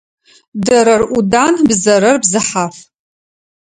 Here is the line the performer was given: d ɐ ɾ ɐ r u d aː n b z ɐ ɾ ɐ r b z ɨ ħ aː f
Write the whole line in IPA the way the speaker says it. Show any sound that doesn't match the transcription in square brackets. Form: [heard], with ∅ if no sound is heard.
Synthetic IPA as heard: d ɐ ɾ ɐ r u d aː n b z ɐ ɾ ɐ r b z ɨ ħ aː f